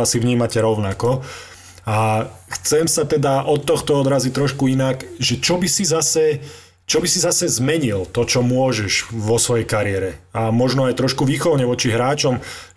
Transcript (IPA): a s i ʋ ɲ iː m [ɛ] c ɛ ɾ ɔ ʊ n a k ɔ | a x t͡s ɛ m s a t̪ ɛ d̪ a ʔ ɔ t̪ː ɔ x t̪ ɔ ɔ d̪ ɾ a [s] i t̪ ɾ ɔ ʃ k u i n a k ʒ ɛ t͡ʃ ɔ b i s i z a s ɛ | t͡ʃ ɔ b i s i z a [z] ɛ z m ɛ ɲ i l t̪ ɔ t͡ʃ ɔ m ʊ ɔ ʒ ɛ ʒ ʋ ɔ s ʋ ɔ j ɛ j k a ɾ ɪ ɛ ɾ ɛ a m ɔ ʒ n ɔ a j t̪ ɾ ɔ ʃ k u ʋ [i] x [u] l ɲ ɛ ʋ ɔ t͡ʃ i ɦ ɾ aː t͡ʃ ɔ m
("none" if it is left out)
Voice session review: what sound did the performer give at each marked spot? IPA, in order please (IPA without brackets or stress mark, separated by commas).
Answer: a, z, s, iː, ɔ